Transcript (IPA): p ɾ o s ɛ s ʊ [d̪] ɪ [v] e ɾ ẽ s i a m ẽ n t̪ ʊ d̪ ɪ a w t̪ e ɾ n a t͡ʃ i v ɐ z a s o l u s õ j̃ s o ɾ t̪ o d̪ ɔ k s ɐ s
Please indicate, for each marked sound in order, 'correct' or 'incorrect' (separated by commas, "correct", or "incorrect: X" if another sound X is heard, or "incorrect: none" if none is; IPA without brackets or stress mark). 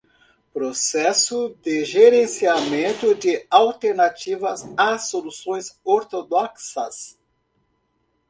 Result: correct, incorrect: ʒ